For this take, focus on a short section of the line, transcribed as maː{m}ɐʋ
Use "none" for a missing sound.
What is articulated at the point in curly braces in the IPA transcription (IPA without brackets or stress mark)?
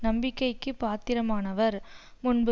n